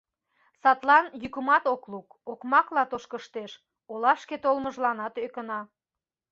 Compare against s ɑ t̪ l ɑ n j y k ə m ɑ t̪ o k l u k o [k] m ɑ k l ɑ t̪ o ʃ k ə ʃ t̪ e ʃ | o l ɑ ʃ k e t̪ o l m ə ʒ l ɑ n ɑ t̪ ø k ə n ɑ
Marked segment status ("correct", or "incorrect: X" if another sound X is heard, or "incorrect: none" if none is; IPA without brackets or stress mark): correct